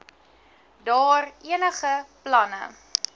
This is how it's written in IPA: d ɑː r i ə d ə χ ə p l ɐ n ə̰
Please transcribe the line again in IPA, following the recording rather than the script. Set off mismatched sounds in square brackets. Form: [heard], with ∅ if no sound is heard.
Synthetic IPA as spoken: d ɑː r i ə [n] ə χ ə p l ɐ n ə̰